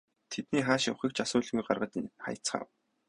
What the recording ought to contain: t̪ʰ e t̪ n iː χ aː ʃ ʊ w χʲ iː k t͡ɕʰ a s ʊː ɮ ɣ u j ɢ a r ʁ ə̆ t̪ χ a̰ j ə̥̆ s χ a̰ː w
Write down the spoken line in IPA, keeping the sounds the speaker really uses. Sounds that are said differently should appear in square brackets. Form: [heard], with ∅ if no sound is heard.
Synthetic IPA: t̪ʰ e t̪ n iː χ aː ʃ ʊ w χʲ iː k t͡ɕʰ a s ʊː ɮ ɣ u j ɢ a r ʁ ə̆ t̪ χ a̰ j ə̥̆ [t͡s] χ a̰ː w